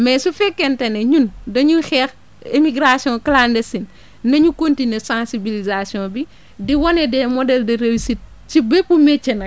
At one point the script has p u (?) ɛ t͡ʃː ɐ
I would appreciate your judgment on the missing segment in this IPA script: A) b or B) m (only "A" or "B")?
B